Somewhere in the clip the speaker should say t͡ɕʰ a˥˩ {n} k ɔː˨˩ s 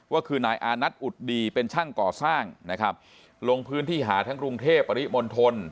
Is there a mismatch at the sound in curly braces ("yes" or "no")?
yes